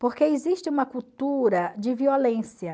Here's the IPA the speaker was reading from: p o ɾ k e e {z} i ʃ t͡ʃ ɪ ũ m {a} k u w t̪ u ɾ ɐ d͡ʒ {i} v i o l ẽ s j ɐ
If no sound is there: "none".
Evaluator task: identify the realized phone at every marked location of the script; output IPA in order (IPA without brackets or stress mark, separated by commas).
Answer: z, ɐ, ɪ